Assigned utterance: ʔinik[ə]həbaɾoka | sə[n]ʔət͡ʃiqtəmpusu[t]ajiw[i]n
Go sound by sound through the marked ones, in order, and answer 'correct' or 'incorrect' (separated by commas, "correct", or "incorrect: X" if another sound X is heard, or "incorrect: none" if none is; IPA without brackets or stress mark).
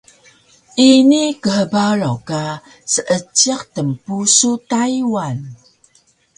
correct, incorrect: none, correct, incorrect: a